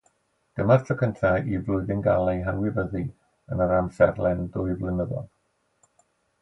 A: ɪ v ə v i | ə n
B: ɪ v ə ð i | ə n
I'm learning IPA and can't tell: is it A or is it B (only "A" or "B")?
B